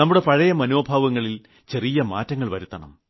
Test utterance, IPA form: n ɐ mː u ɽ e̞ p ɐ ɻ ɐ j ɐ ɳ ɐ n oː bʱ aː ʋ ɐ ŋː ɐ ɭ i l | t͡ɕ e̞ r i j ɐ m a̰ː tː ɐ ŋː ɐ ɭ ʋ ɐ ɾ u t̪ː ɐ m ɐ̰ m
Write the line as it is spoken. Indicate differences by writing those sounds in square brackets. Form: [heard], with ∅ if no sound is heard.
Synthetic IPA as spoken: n ɐ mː u ɽ e̞ p ɐ ɻ ɐ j ɐ [m] ɐ n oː bʱ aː ʋ ɐ ŋː ɐ ɭ i l | t͡ɕ e̞ r i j ɐ m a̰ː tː ɐ ŋː ɐ ɭ ʋ ɐ ɾ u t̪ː ɐ [ɳ] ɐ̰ m